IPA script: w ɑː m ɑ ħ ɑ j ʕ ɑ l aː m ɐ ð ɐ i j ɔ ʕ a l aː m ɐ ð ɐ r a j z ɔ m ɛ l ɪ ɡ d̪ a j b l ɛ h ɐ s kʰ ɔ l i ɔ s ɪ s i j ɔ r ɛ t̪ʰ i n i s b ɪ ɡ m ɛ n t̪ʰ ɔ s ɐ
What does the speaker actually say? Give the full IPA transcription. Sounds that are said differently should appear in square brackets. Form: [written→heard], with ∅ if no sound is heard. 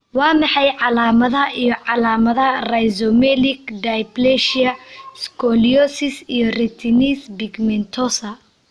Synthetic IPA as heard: w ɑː m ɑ ħ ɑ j ʕ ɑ l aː m ɐ ð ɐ i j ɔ ʕ [a→ɑ] l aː m ɐ ð ɐ r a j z ɔ m ɛ l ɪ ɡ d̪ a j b l ɛ [h→ʃ] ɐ s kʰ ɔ l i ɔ s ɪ s i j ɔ r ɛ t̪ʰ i n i s b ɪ ɡ m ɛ n t̪ʰ ɔ s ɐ